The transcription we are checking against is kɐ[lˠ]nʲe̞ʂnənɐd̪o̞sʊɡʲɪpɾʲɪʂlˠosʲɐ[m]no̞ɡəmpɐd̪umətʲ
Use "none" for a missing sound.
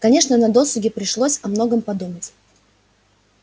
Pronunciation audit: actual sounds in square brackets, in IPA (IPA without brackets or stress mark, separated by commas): none, m